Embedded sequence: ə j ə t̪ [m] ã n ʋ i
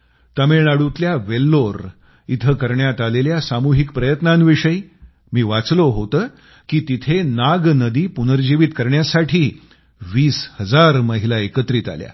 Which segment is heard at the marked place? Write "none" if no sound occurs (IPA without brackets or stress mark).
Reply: n